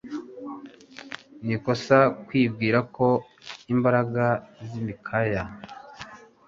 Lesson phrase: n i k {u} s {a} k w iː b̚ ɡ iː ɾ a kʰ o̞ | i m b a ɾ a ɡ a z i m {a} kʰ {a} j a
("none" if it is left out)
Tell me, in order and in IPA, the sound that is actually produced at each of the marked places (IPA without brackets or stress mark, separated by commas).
o, a, i, a